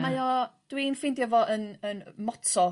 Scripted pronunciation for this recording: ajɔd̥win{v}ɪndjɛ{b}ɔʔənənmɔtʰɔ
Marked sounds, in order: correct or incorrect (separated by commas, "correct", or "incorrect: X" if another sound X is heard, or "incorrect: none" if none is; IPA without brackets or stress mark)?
incorrect: f, incorrect: v